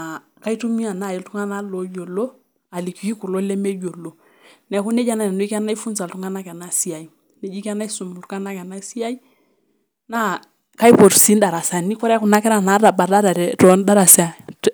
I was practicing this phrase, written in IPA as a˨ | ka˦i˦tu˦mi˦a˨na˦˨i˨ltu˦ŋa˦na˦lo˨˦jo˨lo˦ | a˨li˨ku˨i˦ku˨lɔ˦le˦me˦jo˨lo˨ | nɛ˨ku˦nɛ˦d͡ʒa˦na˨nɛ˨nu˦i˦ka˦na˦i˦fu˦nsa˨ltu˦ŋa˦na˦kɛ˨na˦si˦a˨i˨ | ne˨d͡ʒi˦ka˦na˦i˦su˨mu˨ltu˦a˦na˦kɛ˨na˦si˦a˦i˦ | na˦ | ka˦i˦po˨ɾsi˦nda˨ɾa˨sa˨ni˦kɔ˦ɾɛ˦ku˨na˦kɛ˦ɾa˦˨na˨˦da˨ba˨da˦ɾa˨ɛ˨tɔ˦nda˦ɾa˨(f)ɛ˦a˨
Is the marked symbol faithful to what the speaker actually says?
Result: no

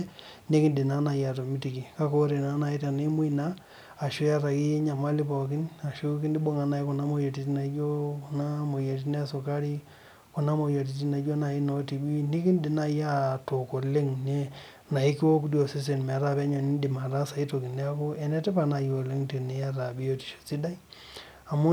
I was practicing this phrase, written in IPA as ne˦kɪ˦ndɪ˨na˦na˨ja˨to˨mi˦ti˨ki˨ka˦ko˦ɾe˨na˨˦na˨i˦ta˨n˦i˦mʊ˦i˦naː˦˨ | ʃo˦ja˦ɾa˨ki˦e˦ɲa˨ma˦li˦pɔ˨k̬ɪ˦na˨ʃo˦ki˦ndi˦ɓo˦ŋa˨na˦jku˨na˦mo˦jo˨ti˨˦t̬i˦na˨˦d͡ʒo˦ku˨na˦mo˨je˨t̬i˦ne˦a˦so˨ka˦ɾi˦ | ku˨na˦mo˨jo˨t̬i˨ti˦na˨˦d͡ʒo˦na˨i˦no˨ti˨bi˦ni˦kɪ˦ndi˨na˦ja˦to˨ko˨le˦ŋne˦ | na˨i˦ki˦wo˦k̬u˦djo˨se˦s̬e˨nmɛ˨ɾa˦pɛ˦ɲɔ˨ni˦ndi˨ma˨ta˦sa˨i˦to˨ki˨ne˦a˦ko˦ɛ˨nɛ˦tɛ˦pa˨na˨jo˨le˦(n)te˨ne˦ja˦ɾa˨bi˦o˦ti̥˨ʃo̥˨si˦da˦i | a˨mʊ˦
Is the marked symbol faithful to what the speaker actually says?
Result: no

